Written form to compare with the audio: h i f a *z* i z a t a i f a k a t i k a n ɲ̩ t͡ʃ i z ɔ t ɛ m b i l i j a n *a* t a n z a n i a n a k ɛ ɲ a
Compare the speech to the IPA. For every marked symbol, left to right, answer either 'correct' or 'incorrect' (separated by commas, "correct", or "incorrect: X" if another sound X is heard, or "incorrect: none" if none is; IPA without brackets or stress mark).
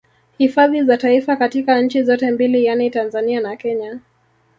incorrect: ð, incorrect: i